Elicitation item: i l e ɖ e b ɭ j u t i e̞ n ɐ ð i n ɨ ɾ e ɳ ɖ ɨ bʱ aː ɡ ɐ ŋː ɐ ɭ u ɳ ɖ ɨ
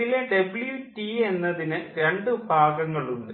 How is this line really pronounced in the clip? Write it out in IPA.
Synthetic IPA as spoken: i l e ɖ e b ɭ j u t i e̞ nː ɐ ð i n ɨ ɾ e ɳ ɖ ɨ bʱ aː ɡ ɐ ŋː ɐ ɭ u ɳ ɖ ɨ